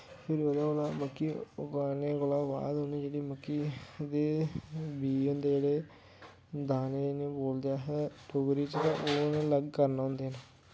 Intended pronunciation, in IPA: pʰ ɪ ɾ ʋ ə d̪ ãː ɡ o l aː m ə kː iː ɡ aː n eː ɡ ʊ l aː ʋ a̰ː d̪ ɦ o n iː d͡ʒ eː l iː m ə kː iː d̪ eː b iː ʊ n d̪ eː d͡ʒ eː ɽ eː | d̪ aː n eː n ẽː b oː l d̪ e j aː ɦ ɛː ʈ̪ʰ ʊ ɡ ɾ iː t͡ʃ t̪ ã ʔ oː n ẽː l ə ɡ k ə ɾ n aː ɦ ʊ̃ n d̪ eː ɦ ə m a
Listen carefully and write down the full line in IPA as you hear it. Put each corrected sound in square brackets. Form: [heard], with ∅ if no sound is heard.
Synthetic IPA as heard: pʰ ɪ ɾ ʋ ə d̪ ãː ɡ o l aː m ə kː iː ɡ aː n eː ɡ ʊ l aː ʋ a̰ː d̪ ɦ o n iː d͡ʒ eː [ɽ] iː m ə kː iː d̪ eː b iː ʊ n d̪ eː d͡ʒ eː ɽ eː | d̪ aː n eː n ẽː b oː l d̪ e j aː ɦ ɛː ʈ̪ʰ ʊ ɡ ɾ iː t͡ʃ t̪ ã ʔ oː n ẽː l ə ɡ k ə ɾ n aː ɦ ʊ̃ n d̪ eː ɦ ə [n] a